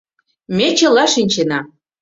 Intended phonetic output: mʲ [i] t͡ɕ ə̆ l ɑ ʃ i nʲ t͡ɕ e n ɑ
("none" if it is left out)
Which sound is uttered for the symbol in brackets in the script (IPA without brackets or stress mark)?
e